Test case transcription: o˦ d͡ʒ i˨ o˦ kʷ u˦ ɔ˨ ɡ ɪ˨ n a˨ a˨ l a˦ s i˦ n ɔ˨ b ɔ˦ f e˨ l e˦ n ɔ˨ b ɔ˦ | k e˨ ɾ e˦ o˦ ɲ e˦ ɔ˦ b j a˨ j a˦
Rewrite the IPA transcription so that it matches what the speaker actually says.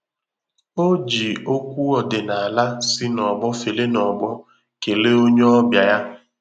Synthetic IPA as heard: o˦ d͡ʒ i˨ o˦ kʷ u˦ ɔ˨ d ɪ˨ n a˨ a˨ l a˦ s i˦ n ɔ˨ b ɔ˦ f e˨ l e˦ n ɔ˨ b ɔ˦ | k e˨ l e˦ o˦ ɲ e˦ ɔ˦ b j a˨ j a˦